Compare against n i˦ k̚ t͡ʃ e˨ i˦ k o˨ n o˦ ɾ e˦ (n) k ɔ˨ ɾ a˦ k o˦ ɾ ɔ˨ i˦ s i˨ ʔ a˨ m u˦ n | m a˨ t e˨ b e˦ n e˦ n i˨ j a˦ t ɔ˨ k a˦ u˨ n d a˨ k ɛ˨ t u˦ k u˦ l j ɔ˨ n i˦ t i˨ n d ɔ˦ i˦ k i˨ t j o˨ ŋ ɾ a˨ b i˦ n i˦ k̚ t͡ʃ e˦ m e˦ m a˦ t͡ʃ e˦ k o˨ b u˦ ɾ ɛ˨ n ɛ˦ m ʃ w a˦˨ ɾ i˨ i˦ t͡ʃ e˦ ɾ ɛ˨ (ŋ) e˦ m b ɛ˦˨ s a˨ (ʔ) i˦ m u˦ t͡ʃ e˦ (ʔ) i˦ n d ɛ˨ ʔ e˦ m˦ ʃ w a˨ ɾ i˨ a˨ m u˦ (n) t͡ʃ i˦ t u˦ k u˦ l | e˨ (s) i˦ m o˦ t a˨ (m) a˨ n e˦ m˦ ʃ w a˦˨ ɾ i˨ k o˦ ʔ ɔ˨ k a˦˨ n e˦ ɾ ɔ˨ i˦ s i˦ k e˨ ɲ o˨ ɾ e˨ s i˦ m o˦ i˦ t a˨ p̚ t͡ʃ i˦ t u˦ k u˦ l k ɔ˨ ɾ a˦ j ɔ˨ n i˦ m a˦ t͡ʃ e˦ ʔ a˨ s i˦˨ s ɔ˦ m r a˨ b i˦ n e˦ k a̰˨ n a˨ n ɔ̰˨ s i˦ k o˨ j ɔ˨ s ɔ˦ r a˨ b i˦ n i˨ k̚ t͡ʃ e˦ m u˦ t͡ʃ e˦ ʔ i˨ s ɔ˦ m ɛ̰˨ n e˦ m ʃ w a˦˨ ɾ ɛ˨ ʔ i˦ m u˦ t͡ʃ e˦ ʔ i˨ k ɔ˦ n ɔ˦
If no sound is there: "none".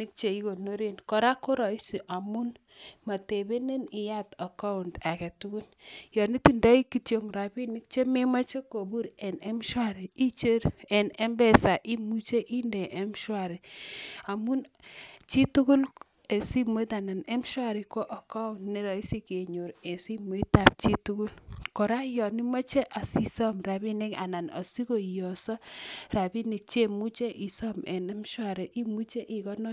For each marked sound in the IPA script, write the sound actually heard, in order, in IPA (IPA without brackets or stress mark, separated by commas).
n, n, ʔ, ʔ, n, s, n